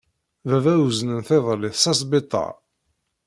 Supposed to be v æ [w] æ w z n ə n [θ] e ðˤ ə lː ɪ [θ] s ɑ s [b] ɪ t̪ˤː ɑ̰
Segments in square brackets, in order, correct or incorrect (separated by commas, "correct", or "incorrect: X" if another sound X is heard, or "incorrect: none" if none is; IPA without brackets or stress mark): incorrect: v, correct, correct, correct